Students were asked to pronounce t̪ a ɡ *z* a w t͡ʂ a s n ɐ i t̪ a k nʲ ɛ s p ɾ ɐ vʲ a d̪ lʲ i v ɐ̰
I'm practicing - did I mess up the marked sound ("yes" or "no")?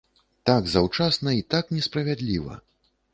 no